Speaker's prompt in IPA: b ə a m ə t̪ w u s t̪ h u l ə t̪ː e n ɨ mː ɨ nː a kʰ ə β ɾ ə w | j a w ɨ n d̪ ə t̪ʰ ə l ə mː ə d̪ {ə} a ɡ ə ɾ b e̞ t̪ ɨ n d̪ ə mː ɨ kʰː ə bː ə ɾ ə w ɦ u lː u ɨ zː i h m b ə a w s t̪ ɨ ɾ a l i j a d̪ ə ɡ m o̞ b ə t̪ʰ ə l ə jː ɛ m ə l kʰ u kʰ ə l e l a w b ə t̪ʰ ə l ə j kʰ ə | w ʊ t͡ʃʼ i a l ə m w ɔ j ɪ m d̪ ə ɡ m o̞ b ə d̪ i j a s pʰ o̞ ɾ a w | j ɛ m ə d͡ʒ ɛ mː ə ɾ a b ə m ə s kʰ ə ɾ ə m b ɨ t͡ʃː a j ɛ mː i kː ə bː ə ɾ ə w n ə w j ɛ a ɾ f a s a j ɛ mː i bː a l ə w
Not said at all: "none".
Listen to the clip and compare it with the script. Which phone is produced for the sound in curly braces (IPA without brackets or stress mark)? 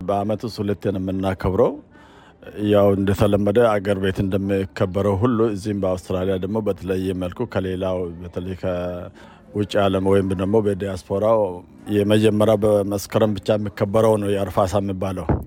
ə